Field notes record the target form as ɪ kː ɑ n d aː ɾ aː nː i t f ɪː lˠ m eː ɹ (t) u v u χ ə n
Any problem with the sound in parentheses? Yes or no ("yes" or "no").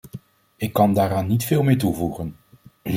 no